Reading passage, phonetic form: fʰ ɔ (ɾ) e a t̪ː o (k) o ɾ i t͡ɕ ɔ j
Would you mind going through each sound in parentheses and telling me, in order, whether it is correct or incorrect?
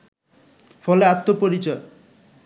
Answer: incorrect: l, incorrect: p

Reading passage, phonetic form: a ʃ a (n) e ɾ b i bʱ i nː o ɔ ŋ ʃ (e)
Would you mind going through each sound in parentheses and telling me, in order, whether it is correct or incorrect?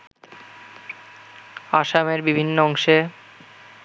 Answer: incorrect: m, correct

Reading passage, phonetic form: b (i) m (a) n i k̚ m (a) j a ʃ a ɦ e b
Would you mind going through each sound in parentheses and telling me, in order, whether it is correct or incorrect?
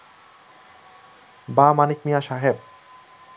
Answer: incorrect: a, correct, incorrect: i

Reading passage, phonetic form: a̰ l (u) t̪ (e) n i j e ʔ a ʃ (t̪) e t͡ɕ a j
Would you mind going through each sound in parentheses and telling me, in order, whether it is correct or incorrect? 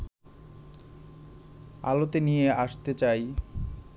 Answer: incorrect: o, correct, correct

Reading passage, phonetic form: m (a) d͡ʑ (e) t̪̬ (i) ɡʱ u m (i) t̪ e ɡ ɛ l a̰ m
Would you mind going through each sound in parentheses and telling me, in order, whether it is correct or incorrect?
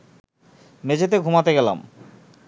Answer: incorrect: e, correct, incorrect: e, incorrect: a

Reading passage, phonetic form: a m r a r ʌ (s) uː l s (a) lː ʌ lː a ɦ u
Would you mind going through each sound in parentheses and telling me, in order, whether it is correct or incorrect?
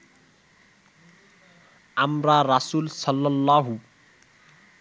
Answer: correct, incorrect: ʌ

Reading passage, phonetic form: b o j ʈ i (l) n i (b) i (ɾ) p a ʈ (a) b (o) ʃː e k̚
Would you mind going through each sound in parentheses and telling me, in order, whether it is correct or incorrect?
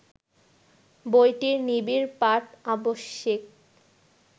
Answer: incorrect: ɾ, correct, correct, correct, correct

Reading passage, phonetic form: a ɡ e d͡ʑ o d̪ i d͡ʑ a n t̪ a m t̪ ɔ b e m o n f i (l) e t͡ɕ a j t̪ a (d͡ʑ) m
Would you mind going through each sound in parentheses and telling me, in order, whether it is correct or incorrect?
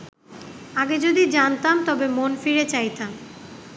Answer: incorrect: ɾ, incorrect: none

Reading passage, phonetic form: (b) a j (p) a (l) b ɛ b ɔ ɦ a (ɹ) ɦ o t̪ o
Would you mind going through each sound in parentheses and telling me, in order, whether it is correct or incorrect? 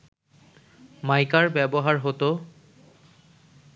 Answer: incorrect: m, incorrect: k, incorrect: ɹ, correct

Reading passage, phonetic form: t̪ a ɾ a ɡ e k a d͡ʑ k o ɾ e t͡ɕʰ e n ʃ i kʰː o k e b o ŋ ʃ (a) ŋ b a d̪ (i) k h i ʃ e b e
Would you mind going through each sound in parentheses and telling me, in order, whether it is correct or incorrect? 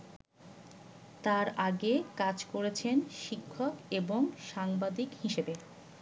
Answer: correct, correct

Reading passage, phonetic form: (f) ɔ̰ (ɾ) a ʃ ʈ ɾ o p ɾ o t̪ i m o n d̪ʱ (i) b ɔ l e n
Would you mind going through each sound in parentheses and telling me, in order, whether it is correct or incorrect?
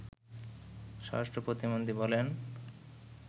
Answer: incorrect: ʃ, correct, correct

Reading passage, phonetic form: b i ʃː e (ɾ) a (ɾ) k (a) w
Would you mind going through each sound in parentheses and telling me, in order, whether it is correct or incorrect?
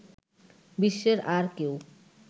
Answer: correct, correct, incorrect: e

